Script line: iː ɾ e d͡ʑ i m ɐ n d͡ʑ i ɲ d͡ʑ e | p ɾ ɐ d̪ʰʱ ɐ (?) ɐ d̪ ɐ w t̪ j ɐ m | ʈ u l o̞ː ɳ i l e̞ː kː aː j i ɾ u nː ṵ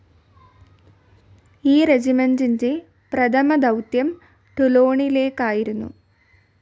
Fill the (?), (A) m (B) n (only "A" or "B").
A